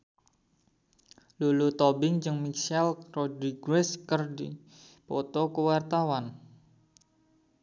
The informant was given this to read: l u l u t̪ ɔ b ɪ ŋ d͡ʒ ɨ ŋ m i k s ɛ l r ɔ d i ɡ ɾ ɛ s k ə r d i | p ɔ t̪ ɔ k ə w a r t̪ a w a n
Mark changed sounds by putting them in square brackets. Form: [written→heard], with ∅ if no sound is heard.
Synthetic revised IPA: l u l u t̪ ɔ b ɪ ŋ d͡ʒ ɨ ŋ m i k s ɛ l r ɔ d i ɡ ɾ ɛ s k ə r d i | p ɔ t̪ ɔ k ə w a r t̪ a w a n